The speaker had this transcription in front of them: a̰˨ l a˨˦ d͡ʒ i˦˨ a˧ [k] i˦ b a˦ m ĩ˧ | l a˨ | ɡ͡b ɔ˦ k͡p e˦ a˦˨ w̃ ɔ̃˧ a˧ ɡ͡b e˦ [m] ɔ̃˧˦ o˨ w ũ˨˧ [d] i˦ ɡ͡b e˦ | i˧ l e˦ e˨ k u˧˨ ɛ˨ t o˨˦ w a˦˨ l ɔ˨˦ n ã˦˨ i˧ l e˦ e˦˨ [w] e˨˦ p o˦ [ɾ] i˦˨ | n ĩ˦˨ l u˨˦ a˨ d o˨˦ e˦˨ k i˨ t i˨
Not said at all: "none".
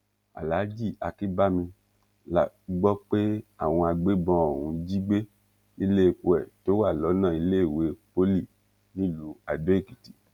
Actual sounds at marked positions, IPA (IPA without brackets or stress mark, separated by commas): k, b, d͡ʒ, w, l